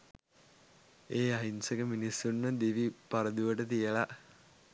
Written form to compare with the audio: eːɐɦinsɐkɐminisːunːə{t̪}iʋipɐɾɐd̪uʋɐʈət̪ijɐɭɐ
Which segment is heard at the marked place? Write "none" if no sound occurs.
d̪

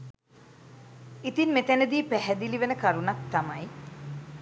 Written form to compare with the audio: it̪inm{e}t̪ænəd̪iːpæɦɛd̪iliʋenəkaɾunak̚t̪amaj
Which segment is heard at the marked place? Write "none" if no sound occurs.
e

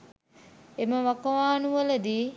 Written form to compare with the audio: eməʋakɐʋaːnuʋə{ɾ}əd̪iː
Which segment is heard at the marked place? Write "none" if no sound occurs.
l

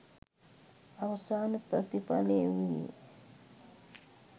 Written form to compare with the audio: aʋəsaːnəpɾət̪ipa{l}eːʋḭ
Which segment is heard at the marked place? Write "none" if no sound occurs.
l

